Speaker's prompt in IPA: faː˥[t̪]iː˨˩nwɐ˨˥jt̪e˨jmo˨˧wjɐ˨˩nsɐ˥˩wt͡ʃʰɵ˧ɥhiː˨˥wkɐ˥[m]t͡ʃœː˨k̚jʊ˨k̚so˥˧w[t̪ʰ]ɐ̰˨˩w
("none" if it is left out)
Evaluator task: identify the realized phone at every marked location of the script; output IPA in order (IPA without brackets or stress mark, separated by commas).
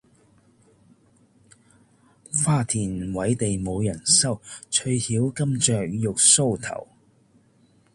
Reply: t̪ʰ, m, t̪ʰ